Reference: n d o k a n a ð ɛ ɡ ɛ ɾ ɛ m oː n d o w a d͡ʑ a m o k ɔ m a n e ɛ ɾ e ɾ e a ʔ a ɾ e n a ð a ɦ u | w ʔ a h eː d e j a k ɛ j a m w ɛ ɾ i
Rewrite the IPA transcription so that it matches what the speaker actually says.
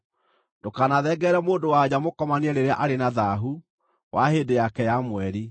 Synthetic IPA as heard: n d o k a n a ð ɛ ɡ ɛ ɾ ɛ m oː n d o w a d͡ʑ a m o k ɔ m a n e ɛ ɾ e ɾ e a ʔ a ɾ e n a ð a ɦ u | w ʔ a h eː d e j a k ɛ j a m w ɛ ɾ i